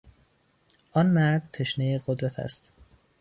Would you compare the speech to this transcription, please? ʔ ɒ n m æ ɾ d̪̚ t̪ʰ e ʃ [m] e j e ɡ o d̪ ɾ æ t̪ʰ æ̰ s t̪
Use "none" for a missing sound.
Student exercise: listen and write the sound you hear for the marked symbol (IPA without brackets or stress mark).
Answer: n